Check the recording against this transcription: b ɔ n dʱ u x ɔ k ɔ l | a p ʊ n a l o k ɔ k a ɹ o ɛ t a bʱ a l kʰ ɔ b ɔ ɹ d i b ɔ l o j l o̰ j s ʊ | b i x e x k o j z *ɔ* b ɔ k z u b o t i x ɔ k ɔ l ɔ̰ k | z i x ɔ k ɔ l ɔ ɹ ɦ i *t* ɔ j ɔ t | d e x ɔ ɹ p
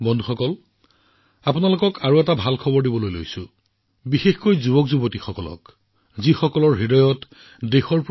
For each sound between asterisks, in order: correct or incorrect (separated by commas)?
incorrect, incorrect